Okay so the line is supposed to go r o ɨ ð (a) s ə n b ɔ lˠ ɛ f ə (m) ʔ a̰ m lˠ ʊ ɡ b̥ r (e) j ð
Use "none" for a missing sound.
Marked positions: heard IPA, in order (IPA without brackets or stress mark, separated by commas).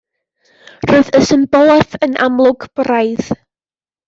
ə, n, a